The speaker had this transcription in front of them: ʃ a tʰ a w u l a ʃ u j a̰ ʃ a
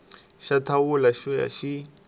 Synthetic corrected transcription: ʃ a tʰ a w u l a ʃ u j a̰ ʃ i